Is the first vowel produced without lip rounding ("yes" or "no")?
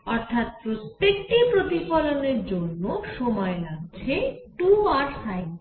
no